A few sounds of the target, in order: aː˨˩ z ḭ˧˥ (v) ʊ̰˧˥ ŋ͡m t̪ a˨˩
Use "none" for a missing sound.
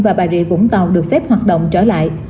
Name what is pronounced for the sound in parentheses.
v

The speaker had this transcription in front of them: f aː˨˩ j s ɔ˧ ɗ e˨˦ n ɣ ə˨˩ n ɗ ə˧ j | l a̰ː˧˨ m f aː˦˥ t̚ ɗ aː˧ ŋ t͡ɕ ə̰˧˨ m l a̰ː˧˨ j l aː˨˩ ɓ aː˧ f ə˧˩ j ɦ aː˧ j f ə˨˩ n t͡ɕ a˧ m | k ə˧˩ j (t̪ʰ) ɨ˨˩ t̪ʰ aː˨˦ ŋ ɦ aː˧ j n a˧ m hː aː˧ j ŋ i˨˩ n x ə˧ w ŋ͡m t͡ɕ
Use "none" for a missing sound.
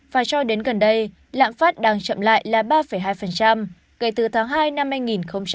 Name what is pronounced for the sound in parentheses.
t̪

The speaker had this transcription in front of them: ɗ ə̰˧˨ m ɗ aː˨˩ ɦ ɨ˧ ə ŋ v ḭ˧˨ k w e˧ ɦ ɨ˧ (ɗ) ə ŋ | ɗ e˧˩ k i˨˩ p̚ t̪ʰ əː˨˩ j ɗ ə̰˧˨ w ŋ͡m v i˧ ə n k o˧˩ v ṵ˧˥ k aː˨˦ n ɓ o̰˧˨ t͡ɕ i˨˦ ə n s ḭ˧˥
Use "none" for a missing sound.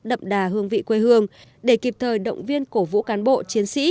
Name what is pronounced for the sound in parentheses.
none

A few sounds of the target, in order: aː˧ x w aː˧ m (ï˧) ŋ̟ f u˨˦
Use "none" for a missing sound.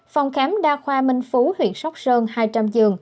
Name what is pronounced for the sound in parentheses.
ï˧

